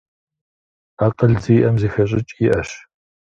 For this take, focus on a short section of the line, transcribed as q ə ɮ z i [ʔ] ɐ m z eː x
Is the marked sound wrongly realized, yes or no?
no